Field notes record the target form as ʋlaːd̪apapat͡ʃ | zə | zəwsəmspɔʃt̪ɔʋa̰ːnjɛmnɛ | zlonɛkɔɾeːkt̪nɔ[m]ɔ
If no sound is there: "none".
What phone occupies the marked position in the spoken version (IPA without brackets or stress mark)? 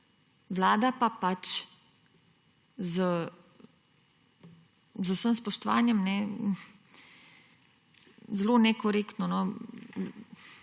n